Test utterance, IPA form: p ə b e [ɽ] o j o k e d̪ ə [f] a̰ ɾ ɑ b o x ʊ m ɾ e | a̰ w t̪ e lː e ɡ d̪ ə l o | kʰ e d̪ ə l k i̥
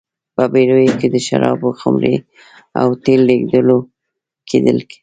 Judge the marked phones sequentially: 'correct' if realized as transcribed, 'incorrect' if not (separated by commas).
incorrect, incorrect